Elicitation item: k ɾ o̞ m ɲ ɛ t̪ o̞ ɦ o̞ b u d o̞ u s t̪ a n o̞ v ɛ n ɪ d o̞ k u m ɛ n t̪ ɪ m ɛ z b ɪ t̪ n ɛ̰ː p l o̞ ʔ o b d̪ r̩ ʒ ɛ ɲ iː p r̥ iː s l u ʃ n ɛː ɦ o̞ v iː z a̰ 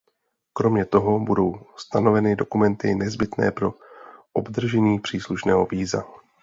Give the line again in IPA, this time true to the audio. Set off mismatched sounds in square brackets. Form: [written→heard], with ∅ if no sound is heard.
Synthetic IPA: k ɾ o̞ m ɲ ɛ t̪ o̞ ɦ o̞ b u d o̞ [u→w] s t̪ a n o̞ v ɛ n ɪ d o̞ k u m ɛ n t̪ ɪ [m→n] ɛ z b ɪ t̪ n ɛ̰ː p [l→ɾ] o̞ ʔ o b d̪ r̩ ʒ ɛ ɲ iː p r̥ iː s l u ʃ n ɛː ɦ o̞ v iː z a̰